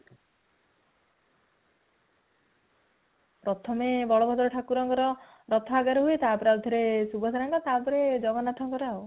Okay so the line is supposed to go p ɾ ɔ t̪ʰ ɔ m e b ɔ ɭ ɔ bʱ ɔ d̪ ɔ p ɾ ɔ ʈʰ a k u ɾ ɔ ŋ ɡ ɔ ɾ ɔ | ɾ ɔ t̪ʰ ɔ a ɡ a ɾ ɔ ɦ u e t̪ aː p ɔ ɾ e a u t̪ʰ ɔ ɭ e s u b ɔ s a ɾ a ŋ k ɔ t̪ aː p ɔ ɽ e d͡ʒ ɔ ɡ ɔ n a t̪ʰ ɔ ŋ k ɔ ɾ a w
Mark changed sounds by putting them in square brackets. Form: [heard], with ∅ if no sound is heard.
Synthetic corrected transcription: p ɾ ɔ t̪ʰ ɔ m e b ɔ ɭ ɔ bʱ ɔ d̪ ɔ [∅] ɾ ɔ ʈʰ a k u ɾ ɔ ŋ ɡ ɔ ɾ ɔ | ɾ ɔ t̪ʰ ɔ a ɡ a ɾ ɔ ɦ u e t̪ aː p ɔ ɾ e a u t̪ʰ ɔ [ɾ] e s u b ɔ s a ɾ a ŋ k ɔ t̪ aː p ɔ [ɾ] e d͡ʒ ɔ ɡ ɔ n a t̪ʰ ɔ ŋ k ɔ ɾ a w